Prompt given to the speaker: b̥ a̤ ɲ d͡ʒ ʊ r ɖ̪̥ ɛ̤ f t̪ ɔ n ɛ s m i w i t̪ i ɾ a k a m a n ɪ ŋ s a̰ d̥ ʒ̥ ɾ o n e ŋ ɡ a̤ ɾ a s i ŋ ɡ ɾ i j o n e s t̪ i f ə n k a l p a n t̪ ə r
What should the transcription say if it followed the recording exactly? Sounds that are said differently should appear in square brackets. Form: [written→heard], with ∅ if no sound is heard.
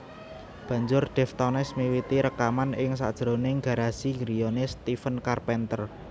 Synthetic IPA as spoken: b̥ a̤ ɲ d͡ʒ ʊ r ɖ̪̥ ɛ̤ f t̪ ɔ n ɛ s m i w i t̪ i ɾ [a→ə] k a m a n ɪ ŋ s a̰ d̥ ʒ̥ ɾ o n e ŋ ɡ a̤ ɾ a s i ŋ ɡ ɾ i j o n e s t̪ i f ə n k a [l→r] p [a→ɛ] n t̪ ə r